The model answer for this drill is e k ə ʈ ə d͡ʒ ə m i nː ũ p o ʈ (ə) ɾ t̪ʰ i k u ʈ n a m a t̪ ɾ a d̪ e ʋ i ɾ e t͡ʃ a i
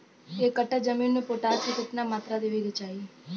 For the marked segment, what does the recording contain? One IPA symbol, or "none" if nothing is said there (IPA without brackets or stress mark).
a